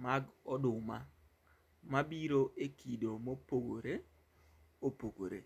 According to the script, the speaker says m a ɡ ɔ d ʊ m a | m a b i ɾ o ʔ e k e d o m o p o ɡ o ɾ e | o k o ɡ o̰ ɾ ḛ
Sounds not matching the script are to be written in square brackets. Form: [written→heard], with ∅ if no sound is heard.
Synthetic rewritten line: m a ɡ ɔ d ʊ m a | m a b i ɾ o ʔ e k [e→i] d o m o p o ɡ o ɾ e | o [k→p] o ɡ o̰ ɾ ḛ